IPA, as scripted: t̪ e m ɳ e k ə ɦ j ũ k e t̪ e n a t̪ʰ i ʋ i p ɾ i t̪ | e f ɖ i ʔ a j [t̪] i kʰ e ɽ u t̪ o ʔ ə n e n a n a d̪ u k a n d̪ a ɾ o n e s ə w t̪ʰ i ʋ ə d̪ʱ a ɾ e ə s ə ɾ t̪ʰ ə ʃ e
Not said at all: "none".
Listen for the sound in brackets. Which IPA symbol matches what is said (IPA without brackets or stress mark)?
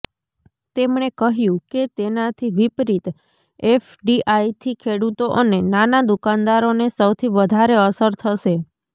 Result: t̪ʰ